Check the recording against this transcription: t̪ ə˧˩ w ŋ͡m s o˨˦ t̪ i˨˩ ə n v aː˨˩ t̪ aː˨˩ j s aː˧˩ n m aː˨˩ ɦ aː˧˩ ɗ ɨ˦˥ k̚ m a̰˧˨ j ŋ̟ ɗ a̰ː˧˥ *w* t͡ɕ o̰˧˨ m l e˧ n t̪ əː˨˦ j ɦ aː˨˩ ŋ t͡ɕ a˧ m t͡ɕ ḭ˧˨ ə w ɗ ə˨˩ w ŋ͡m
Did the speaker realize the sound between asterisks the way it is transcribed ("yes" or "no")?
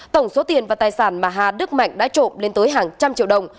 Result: no